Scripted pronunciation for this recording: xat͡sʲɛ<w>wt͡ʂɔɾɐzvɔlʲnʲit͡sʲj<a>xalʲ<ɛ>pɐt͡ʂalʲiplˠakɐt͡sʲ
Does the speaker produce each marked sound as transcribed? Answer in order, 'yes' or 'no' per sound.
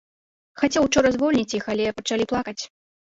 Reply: yes, no, yes

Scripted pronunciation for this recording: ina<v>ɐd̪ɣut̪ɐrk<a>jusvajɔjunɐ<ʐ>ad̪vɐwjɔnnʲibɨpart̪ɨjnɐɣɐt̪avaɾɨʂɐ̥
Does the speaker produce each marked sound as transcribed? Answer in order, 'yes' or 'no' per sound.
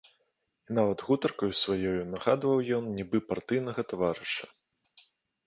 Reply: yes, no, no

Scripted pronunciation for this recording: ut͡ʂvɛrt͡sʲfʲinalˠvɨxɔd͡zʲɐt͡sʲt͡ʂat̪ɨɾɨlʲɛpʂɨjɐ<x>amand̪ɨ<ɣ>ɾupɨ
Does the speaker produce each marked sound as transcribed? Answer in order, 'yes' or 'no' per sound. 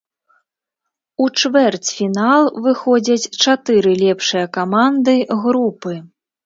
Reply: no, yes

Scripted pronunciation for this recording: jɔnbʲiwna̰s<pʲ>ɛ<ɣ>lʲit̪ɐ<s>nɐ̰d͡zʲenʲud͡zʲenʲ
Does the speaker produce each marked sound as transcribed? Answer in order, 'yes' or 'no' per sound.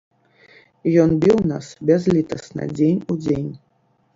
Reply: no, no, yes

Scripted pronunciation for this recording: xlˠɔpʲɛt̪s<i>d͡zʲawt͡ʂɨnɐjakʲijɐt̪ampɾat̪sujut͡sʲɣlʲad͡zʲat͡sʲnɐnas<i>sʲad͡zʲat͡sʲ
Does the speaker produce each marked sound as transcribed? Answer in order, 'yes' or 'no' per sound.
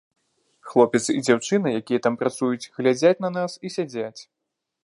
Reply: yes, yes

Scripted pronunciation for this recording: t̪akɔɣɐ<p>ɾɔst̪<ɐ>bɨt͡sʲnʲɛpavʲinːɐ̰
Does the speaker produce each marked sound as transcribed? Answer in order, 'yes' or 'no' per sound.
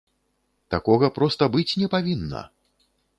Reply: yes, yes

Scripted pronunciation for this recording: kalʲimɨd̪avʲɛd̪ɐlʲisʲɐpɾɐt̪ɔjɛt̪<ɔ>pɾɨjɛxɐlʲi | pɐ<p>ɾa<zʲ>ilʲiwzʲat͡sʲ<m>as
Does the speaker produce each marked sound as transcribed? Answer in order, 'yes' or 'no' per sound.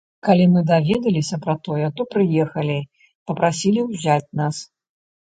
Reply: yes, yes, no, no

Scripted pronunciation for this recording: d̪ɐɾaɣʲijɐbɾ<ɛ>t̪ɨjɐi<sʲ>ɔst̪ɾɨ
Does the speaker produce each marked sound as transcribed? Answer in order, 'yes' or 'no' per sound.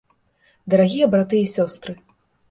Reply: no, yes

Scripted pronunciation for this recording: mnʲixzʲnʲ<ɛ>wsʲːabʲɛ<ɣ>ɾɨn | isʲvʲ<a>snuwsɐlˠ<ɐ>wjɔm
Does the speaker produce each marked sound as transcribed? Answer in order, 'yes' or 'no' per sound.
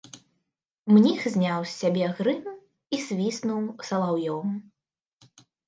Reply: no, yes, no, no

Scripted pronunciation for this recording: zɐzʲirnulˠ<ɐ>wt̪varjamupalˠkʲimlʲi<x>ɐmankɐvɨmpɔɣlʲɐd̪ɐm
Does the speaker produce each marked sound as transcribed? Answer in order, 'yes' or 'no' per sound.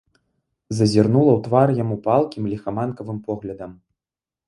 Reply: yes, yes

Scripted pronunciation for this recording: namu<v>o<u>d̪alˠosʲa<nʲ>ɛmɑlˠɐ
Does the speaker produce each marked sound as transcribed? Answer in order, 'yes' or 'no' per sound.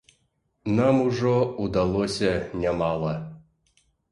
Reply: no, yes, yes

